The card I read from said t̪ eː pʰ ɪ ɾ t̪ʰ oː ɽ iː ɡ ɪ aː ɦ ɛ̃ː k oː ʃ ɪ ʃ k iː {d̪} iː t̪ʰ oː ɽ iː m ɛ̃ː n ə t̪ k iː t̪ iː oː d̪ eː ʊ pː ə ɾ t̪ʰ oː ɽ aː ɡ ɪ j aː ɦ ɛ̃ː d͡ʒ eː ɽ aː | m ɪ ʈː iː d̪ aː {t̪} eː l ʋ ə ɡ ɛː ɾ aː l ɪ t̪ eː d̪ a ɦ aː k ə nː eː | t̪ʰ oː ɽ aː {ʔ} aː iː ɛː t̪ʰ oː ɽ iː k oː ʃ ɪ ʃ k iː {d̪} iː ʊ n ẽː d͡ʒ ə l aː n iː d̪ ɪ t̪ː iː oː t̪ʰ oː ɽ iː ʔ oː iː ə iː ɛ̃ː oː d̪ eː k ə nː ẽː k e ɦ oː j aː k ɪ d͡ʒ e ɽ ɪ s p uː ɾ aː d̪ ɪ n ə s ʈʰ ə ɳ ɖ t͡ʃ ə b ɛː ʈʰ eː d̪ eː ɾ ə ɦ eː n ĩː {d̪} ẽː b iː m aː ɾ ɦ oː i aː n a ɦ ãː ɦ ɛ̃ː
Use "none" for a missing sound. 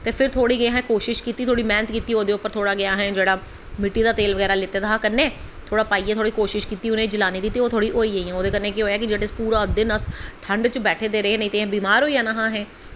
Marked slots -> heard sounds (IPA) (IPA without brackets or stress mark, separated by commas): t̪, t̪, p, t̪, t̪